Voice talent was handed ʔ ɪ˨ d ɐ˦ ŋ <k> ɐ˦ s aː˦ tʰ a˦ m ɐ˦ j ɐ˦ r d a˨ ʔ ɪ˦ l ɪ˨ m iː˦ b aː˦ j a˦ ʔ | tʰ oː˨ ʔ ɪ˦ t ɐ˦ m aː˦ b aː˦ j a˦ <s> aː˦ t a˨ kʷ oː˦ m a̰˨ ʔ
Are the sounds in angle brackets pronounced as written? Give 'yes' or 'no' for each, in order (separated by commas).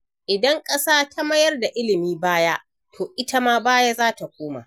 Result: no, no